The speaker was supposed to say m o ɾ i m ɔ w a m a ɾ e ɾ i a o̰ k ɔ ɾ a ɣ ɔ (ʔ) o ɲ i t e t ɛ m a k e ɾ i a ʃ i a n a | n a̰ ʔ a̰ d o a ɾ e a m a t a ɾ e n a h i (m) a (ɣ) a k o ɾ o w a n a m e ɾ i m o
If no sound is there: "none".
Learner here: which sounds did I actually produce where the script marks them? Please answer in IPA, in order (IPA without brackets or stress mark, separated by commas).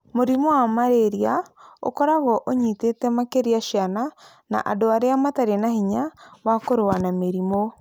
ʔ, ɲ, w